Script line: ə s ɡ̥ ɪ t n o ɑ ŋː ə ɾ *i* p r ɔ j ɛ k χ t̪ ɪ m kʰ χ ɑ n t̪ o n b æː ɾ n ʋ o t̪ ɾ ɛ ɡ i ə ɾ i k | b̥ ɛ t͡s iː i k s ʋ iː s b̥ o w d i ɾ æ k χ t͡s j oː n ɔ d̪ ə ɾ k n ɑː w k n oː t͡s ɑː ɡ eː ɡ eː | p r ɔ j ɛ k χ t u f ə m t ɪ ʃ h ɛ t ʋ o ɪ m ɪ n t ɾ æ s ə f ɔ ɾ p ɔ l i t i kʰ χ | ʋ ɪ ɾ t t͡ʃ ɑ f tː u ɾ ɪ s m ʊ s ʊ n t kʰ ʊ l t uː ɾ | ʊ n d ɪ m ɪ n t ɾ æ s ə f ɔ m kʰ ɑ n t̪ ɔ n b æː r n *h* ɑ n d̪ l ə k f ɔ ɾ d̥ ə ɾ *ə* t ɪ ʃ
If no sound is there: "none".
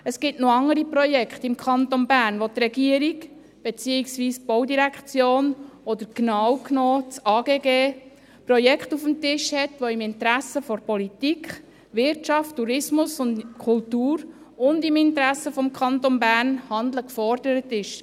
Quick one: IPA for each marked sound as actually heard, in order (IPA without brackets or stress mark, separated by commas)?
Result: i, h, ə